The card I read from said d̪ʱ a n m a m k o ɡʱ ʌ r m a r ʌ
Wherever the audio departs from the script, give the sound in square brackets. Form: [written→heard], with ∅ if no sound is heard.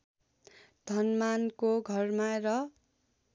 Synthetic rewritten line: d̪ʱ [a→ʌ] n m a [m→n] k o ɡʱ ʌ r m a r ʌ

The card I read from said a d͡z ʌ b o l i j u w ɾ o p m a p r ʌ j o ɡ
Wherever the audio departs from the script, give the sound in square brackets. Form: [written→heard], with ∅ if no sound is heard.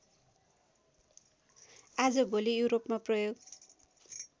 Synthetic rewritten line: a d͡z ʌ b o l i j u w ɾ o p m a p r ʌ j o ɡ

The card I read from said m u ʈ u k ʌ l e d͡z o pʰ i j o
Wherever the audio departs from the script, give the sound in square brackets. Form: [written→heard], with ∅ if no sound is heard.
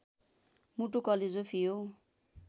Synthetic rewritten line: m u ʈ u k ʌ l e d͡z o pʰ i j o

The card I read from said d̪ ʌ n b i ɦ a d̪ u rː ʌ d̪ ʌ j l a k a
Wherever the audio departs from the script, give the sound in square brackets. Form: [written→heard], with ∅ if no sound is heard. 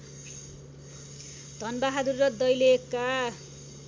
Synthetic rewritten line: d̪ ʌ n b [i→a] ɦ a d̪ u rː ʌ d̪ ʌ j l [a→e] k a

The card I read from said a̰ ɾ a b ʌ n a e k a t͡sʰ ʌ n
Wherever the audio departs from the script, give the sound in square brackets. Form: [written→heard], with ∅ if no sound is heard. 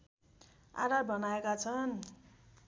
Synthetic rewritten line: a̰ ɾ a b ʌ n a e k a t͡sʰ ʌ n

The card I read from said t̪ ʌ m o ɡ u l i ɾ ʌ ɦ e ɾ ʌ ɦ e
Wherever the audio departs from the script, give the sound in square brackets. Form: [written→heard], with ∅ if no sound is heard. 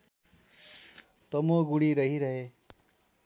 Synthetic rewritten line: t̪ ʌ m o ɡ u [l→ɽ] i ɾ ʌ ɦ [e→i] ɾ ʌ ɦ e

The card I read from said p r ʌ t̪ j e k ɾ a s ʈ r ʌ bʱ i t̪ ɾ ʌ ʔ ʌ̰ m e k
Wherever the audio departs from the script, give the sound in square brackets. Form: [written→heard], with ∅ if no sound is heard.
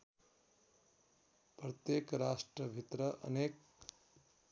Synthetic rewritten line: p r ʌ t̪ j e k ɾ a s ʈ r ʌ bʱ i t̪ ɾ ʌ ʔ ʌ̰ [m→n] e k

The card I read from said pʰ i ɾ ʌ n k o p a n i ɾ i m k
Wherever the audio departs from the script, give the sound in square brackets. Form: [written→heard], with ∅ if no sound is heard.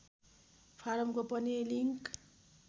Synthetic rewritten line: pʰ [i→a] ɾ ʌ [n→m] k o p [a→ʌ] n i [ɾ→l] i [m→ŋ] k

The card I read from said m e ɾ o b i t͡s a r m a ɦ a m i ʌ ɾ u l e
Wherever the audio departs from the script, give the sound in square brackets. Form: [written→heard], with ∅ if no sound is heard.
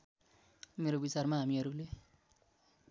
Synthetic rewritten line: m e ɾ o b i t͡s a r m a ɦ a m i ʌ ɾ u l e

